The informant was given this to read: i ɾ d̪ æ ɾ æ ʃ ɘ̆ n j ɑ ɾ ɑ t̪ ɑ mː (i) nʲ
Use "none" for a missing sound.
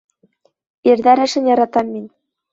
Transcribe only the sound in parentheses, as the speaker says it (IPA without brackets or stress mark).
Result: i